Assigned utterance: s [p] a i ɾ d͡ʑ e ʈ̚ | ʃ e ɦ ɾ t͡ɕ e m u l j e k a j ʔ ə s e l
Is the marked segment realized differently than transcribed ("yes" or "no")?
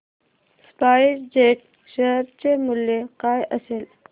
no